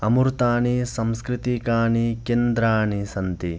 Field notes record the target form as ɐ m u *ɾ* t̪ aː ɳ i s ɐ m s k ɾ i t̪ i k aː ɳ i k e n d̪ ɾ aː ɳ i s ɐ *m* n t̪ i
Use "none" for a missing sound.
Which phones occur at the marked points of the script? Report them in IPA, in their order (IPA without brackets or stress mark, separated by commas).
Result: ɾ, none